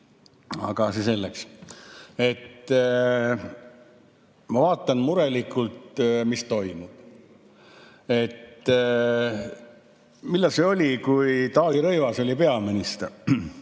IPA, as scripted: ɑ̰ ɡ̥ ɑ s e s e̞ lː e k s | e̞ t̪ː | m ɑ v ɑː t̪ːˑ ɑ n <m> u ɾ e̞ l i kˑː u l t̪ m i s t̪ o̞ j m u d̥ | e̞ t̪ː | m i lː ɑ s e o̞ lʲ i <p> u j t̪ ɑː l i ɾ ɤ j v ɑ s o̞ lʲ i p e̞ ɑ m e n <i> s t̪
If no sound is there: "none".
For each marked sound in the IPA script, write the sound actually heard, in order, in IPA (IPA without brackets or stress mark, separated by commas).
m, k, i